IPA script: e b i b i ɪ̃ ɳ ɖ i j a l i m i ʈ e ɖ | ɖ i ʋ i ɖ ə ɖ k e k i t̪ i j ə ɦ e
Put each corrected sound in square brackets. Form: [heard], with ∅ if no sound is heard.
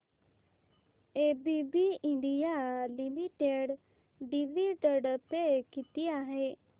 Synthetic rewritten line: e b i b i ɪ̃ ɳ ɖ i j a l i m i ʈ e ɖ | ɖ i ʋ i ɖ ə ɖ [p] e k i t̪ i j [a] ɦ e

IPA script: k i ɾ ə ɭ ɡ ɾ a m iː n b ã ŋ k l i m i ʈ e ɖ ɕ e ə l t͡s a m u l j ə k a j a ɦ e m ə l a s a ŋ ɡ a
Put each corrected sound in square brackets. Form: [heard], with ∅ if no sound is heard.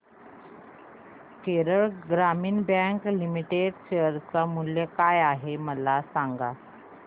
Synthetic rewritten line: k [e] ɾ ə ɭ ɡ ɾ a m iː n b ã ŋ k l i m i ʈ e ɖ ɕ e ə [ɾ] t͡s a m u l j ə k a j a ɦ e m ə l a s a ŋ ɡ a

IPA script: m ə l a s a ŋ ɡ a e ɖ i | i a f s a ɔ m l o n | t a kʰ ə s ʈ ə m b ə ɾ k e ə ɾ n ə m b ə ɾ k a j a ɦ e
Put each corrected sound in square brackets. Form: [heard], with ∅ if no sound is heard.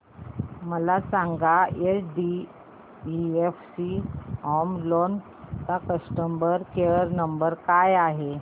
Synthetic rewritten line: m ə l a s a ŋ ɡ a e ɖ i | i [e] f s [i] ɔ m l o n | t a [k] ə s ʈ ə m b ə ɾ k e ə ɾ n ə m b ə ɾ k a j a ɦ e

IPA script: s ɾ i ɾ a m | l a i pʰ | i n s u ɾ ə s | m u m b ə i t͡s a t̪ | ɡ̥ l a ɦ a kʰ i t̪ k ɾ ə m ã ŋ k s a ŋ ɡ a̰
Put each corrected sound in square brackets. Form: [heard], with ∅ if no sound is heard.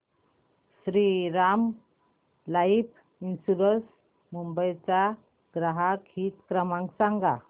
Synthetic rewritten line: s ɾ i ɾ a m | l a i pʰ | i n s u ɾ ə s | m u m b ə [j] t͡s a [∅] | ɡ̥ [ɾ] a ɦ a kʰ i t̪ k ɾ ə m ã ŋ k s a ŋ ɡ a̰

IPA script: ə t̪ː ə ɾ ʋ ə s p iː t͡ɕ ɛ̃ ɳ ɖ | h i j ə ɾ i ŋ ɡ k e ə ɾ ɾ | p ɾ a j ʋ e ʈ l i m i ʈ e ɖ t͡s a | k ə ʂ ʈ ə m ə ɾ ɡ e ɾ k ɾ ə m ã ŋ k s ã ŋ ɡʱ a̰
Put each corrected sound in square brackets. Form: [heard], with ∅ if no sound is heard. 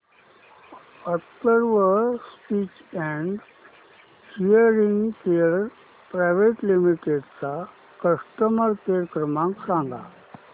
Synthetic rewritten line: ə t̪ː ə ɾ ʋ ə s p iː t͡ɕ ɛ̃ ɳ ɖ | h i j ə ɾ i ŋ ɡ k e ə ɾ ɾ | p ɾ a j ʋ e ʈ l i m i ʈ e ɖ t͡s a | k ə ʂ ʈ ə m ə ɾ [k] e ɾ k ɾ ə m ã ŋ k s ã ŋ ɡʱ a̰

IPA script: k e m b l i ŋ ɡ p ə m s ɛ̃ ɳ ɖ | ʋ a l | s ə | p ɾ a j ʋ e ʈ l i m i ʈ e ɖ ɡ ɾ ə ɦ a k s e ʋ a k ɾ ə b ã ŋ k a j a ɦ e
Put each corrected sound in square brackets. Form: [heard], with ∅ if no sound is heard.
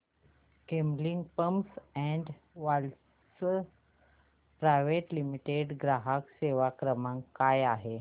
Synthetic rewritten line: k e m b l i ŋ ɡ p ə m s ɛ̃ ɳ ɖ | ʋ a l | s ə | p ɾ a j ʋ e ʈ l i m i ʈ e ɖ ɡ ɾ [a] ɦ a k s e ʋ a k ɾ ə [m] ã ŋ k a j a ɦ e

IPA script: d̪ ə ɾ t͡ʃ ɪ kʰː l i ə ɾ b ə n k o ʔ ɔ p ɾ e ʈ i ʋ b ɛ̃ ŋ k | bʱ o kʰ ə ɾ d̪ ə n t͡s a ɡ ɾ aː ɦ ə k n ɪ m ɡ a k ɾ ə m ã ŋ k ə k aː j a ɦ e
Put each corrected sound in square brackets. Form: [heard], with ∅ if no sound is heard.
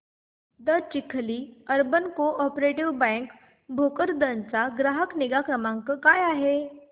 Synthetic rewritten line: d̪ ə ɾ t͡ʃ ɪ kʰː l i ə ɾ b ə n k o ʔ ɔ p ɾ e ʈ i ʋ b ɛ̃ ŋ k | bʱ o [k] ə ɾ d̪ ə n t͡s a ɡ ɾ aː ɦ ə k n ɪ [∅] ɡ a k ɾ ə m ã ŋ k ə k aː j a ɦ e

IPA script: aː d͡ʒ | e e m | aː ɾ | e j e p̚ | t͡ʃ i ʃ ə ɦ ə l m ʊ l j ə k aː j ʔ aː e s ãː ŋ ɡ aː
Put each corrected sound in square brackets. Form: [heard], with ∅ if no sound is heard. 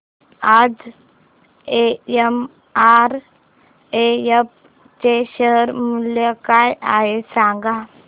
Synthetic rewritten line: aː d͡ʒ | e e m | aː ɾ | e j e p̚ | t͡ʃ [e] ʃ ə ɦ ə [ɾ] m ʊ l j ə k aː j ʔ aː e s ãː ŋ ɡ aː

